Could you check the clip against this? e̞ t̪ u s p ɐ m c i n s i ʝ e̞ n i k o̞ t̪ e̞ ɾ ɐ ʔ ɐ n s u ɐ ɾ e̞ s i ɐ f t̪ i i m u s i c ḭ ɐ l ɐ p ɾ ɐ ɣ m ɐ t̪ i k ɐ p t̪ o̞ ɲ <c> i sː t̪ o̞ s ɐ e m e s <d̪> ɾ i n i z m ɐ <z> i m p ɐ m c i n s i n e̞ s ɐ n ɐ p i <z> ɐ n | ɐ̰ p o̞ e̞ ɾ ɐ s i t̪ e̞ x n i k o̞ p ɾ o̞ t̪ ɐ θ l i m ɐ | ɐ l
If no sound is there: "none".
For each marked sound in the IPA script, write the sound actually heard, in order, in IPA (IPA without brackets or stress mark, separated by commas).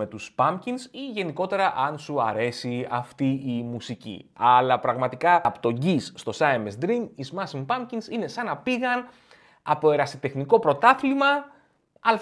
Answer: ɟ, d̪, s, ɣ